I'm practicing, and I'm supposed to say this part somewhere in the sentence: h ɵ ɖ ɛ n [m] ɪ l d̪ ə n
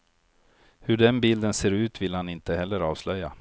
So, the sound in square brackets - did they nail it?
no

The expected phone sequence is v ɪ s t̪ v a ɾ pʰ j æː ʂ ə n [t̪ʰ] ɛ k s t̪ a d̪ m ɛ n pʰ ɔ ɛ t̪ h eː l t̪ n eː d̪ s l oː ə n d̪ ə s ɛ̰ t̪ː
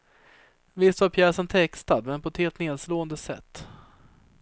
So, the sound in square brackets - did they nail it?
yes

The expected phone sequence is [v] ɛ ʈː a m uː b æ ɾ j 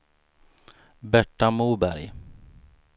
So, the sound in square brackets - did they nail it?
no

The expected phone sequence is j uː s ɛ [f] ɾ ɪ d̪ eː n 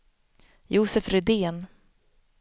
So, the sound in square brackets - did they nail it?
yes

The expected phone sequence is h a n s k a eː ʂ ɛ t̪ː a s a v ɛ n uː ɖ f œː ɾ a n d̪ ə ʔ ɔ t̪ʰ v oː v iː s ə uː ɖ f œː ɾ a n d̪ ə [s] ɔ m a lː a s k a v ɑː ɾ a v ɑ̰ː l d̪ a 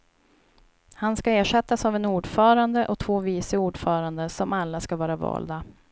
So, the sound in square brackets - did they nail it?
yes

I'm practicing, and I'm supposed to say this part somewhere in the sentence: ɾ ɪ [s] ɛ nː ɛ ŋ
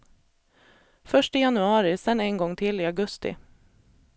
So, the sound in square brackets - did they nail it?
yes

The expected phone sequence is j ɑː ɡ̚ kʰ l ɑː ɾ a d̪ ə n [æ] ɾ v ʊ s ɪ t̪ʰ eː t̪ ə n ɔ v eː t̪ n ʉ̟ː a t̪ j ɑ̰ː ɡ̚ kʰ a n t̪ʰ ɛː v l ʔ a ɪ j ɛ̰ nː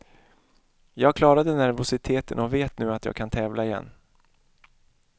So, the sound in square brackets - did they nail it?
yes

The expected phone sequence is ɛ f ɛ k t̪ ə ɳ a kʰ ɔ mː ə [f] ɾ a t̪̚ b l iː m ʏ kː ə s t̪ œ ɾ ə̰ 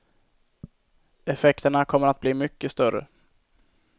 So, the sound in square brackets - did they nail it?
no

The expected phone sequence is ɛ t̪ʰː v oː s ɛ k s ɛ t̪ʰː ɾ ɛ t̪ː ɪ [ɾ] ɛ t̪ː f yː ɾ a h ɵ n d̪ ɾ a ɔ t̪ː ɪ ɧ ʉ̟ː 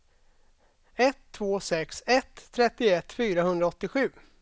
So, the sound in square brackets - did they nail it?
no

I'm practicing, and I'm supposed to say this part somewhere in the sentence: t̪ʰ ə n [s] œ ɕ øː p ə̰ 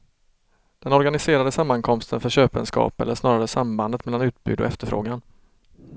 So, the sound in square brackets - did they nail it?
no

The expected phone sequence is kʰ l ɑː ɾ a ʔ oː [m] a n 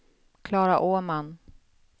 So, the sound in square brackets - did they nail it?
yes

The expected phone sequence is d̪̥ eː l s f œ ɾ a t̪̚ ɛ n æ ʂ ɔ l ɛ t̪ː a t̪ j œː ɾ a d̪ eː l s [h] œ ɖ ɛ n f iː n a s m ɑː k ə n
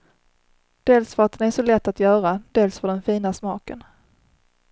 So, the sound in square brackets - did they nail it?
no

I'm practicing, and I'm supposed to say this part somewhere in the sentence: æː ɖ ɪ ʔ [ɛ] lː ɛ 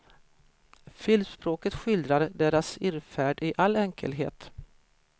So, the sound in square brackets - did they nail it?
no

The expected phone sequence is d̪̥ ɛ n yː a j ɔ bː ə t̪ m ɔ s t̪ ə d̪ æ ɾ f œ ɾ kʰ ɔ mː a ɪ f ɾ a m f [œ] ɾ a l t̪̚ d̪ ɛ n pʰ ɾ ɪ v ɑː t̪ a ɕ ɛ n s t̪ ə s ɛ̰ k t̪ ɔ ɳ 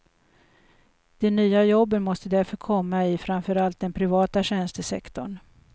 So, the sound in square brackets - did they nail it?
yes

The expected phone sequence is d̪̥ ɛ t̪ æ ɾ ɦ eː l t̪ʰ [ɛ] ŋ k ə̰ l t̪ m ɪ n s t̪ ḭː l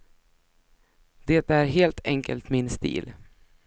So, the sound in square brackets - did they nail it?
yes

